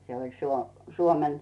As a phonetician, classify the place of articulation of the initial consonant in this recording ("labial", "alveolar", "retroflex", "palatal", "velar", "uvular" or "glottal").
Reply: alveolar